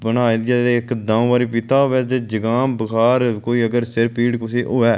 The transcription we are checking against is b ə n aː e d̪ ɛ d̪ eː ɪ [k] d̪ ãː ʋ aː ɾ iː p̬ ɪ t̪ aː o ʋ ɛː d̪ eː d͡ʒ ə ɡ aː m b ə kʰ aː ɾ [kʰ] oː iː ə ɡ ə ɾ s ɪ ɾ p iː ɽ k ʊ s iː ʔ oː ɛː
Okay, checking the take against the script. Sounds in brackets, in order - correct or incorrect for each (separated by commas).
correct, incorrect